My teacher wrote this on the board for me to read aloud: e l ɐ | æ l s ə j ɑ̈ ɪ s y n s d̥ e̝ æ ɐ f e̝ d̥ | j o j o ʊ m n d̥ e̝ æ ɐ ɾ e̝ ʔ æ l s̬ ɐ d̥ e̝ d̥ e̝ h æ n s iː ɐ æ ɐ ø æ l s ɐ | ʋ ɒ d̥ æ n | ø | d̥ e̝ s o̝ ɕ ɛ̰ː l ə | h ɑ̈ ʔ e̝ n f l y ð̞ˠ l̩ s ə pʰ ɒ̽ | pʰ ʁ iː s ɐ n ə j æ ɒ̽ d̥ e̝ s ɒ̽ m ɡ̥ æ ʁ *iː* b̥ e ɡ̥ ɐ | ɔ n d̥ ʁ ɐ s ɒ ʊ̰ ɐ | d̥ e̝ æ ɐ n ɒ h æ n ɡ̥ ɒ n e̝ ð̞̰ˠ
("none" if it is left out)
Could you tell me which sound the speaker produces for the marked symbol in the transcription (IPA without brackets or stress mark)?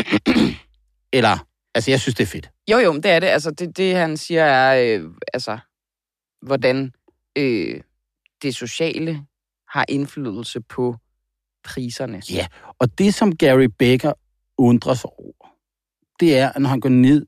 i